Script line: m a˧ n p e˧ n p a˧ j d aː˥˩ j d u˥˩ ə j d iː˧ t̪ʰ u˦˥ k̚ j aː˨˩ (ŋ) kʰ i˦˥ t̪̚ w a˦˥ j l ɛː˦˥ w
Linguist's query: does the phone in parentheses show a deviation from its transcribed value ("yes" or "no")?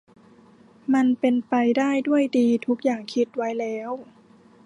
no